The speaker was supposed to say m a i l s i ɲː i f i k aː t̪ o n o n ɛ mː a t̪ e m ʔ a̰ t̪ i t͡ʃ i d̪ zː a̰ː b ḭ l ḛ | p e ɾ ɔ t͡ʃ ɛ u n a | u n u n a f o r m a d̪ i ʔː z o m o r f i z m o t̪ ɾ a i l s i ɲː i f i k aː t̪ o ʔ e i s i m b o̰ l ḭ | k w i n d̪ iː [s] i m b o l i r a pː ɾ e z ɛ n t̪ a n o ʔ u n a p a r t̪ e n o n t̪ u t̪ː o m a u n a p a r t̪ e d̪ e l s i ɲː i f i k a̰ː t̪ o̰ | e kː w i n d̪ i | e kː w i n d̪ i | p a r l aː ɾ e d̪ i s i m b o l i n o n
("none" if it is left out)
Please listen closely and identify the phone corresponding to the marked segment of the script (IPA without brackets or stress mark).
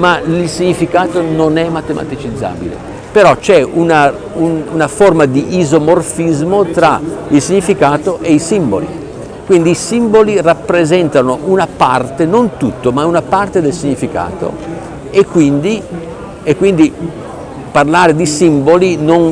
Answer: s